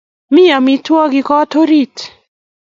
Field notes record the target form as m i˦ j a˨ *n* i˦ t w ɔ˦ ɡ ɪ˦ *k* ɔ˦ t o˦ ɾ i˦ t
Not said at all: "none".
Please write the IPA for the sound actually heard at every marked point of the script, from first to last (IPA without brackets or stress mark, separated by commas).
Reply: m, k